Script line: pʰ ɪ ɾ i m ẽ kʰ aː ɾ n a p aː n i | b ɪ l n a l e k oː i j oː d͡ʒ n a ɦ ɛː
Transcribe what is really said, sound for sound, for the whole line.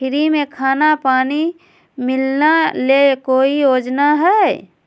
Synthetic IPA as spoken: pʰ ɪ ɾ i m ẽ kʰ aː n a p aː n i | m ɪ l n a l e k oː i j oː d͡ʒ n a ɦ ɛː